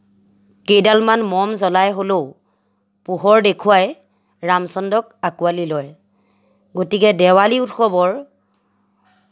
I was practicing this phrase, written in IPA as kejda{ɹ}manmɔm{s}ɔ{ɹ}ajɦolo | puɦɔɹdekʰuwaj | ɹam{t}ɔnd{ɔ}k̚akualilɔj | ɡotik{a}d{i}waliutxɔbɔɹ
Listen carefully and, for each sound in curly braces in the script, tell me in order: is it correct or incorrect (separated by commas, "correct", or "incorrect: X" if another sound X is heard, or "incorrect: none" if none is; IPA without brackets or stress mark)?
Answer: incorrect: l, incorrect: z, incorrect: l, incorrect: s, correct, incorrect: ɛ, incorrect: ɛ